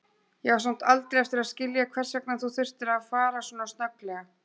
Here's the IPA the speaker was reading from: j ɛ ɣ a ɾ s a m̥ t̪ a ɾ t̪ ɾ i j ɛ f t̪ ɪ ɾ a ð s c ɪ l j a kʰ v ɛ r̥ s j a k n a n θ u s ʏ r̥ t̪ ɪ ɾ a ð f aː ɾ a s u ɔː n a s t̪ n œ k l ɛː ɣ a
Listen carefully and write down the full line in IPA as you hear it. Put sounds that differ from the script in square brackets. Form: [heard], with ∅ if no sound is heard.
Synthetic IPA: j ɛ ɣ a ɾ s a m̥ t̪ a [l] t̪ ɾ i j ɛ f t̪ ɪ ɾ a ð s c ɪ l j a kʰ v ɛ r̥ s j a k n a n θ u [θ] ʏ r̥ t̪ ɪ ɾ a ð f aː ɾ a s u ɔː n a s t̪ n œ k l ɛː ɣ a